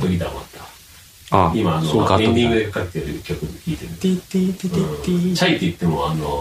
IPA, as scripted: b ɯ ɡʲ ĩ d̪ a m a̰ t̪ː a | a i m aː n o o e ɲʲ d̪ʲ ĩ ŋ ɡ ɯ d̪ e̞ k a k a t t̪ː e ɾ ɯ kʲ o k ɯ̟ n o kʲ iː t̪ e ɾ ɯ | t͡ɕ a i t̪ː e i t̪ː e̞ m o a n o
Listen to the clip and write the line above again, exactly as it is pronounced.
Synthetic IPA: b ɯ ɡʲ i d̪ a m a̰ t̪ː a | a i m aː n o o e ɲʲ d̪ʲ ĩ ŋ ɡ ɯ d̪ e̞ k a k a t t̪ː e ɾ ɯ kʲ o k ɯ̟ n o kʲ iː t̪ e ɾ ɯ | t͡ɕ a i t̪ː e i t̪ː e̞ m o a n o